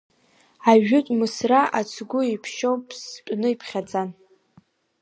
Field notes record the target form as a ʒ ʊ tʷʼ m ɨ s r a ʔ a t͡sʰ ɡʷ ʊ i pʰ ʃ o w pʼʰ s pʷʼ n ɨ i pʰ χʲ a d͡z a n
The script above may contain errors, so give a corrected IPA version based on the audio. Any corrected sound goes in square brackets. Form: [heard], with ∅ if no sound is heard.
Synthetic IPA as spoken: a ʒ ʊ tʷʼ m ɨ s r a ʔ a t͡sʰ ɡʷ ʊ i pʰ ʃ o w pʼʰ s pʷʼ n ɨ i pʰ χʲ a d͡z a n